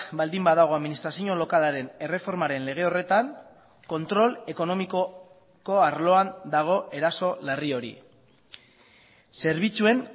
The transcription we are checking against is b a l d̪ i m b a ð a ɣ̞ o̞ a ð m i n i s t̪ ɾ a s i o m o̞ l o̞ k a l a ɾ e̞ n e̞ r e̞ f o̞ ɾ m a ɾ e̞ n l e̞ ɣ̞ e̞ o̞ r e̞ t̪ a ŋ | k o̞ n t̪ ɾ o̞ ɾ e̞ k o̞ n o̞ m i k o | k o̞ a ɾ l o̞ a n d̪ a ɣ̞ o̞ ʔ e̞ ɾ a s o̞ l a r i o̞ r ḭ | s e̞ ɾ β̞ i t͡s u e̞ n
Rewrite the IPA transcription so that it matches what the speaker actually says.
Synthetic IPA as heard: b a l d̪ i m b a ð a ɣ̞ o̞ a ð m i n i s t̪ ɾ a s i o ɲ o̞ l o̞ k a l a ɾ e̞ n e̞ r e̞ f o̞ ɾ m a ɾ e̞ n l e̞ ɣ̞ e̞ o̞ r e̞ t̪ a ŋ | k o̞ n t̪ ɾ o̞ l e̞ k o̞ n o̞ m i k o | k o̞ a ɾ l o̞ a n d̪ a ɣ̞ o̞ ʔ e̞ ɾ a s o̞ l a r i o̞ ɾ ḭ | s e̞ ɾ β̞ i t͡s u e̞ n